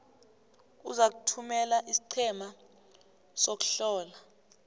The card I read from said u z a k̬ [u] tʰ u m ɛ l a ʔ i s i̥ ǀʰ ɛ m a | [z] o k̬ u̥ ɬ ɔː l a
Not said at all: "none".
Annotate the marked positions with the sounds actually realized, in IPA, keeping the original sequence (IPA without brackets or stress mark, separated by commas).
u, s